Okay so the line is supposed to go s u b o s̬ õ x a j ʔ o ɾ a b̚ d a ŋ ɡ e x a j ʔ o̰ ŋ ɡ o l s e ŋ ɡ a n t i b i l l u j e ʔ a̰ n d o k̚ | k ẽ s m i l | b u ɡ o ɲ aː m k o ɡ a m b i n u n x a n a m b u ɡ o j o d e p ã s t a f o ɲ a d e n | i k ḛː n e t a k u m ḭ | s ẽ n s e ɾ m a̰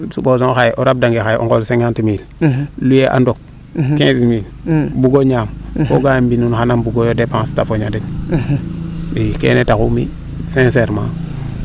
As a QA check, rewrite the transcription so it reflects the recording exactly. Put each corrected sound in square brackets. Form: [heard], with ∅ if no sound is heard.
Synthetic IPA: s u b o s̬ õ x a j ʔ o ɾ a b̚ d a ŋ ɡ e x a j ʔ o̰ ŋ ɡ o l s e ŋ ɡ a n t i [m] i l l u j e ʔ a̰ n d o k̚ | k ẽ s m i l | b u ɡ o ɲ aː m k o ɡ a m b i n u n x a n a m b u ɡ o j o d e p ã s t a f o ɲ a d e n | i k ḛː n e t a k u m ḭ | s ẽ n s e ɾ m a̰

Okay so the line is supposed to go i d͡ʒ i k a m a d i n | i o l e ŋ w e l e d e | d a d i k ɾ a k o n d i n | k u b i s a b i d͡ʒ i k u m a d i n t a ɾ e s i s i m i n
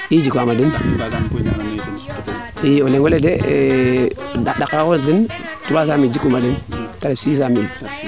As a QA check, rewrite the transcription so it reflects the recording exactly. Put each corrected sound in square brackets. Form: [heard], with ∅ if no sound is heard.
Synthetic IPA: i d͡ʒ i k a m a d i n | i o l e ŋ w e l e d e | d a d [a] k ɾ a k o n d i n | [t] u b [a] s a [m] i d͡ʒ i k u m a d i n t a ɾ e s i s [a] m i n

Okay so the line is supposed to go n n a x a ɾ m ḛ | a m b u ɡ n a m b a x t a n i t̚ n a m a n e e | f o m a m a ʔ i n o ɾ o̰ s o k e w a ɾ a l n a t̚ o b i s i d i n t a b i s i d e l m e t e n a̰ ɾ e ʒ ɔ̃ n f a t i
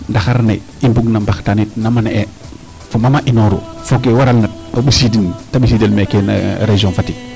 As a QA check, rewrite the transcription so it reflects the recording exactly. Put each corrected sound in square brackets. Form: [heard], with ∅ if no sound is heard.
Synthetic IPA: n [d] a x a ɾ [n] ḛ | [i] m b u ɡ n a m b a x t a n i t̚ n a m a n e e | f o m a m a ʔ i n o ɾ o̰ [f] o k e w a ɾ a l n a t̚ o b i s i d i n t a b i s i d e l m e [k] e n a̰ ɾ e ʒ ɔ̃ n f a t i

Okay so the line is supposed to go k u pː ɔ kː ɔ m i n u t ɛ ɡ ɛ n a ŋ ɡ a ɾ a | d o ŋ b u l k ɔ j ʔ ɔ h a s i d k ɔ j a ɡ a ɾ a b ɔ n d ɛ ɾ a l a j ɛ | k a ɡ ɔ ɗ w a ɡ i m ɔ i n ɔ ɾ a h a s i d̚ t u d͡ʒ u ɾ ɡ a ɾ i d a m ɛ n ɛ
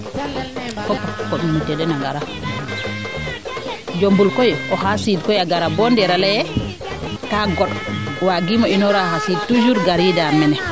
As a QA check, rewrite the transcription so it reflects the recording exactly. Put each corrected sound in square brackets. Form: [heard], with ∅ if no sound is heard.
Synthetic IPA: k [ɔ] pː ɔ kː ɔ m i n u t ɛ [d] ɛ n a ŋ ɡ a ɾ a | [d͡ʒ] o [m] b u l k ɔ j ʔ ɔ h a s i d k ɔ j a ɡ a ɾ a b ɔ n d ɛ ɾ a l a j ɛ | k a ɡ ɔ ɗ w a ɡ i m ɔ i n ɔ ɾ a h a s i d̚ t u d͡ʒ u ɾ ɡ a ɾ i d a m ɛ n ɛ

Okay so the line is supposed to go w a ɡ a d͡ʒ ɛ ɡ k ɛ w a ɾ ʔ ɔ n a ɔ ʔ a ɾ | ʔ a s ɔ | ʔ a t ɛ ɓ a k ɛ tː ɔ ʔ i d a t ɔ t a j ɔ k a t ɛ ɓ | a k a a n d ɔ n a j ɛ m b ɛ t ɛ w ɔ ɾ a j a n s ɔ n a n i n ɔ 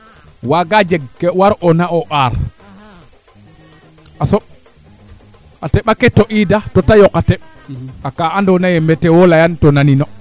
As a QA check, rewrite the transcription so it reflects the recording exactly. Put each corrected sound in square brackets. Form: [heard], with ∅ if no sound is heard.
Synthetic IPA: w a ɡ a d͡ʒ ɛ ɡ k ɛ w a ɾ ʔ ɔ n a ɔ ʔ a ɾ | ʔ a s ɔ | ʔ a t ɛ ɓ a k ɛ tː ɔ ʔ i d a t ɔ t a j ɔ k a t ɛ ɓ | a k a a n d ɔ n a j ɛ m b ɛ t ɛ w ɔ [l] a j a n [t] ɔ n a n i n ɔ

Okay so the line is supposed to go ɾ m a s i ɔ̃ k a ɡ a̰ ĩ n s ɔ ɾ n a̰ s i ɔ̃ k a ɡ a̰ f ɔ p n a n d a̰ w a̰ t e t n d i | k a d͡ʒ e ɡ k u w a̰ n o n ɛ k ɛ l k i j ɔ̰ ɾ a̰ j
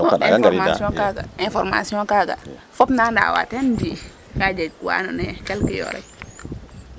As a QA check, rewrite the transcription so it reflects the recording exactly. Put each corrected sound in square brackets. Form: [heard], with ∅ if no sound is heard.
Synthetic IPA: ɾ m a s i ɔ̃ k a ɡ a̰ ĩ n [f] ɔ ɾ [m] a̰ s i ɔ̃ k a ɡ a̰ f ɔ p n a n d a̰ w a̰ t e [∅] n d i | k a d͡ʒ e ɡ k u w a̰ n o n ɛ k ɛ l k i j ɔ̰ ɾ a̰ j

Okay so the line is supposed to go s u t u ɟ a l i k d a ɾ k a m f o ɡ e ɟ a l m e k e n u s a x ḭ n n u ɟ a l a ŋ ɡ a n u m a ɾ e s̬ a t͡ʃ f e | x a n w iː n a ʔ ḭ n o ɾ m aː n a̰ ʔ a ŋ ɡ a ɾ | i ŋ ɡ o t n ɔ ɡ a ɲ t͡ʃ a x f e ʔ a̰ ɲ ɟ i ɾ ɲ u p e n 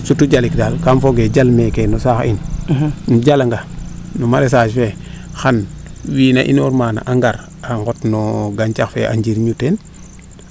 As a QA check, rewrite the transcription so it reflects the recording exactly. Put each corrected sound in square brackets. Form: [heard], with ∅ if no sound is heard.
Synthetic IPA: s u t u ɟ a l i k d a [l] k a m f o ɡ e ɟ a l m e k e n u s a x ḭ n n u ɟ a l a ŋ ɡ a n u m a ɾ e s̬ a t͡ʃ f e | x a n w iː n a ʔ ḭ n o ɾ m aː n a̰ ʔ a ŋ ɡ a ɾ | [a] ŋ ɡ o t n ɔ ɡ a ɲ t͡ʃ a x f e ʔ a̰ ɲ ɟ i ɾ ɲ u [t] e n

